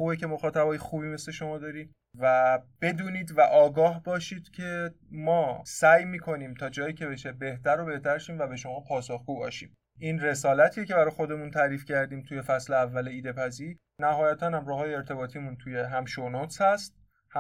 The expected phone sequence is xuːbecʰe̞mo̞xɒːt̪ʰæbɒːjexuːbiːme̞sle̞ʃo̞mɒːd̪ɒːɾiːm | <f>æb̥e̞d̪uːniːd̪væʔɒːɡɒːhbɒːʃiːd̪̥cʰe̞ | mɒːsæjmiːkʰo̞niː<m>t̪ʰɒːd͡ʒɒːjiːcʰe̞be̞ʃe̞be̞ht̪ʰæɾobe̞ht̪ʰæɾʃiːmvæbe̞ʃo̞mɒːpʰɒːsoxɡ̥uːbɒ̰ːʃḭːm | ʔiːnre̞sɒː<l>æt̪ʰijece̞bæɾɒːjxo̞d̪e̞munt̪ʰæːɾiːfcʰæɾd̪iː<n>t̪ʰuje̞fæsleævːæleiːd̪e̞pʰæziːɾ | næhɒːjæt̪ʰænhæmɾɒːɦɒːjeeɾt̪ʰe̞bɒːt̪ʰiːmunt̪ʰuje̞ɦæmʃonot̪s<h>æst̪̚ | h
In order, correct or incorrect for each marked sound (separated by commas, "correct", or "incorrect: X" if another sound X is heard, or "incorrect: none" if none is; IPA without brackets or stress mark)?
incorrect: v, correct, correct, incorrect: m, correct